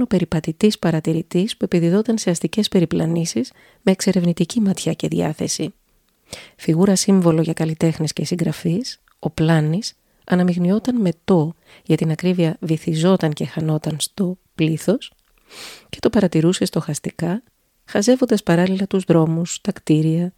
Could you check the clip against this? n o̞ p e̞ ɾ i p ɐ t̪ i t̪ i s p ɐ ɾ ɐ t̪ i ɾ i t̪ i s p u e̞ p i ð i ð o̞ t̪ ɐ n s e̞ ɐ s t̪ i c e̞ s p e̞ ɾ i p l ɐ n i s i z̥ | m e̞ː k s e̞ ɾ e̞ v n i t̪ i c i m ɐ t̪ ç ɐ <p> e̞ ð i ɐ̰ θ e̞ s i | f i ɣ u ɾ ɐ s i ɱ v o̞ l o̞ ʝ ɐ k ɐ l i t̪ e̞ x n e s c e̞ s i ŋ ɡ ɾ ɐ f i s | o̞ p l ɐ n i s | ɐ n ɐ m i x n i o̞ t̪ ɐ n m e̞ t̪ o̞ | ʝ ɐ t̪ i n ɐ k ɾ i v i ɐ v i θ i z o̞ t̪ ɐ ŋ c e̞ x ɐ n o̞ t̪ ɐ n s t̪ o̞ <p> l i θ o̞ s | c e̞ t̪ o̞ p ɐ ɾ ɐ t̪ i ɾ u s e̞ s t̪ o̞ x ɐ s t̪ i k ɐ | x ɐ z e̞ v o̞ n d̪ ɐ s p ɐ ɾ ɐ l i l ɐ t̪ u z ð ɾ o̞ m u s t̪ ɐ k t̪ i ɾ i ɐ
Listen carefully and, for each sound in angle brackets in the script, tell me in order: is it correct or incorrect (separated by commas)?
incorrect, correct